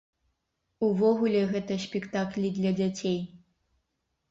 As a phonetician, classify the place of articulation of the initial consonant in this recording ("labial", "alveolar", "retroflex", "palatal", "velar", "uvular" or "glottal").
labial